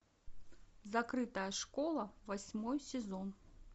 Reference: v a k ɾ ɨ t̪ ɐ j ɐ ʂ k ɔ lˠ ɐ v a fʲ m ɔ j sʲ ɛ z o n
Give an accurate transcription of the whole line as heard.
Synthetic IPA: z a k ɾ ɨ t̪ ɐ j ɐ ʂ k ɔ lˠ ɐ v a sʲ m ɔ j sʲ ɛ z ɔ n